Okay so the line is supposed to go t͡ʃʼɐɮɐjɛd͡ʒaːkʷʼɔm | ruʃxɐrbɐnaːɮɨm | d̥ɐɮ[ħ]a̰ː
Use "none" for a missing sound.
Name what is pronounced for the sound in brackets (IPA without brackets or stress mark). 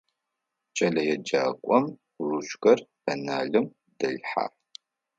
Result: ħ